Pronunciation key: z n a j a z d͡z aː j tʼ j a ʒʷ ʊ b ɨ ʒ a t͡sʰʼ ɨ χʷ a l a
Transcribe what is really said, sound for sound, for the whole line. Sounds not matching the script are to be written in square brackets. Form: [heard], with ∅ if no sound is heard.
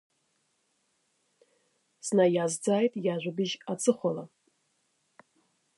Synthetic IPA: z n a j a z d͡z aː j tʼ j a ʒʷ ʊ b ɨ ʒ a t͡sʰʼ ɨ χʷ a l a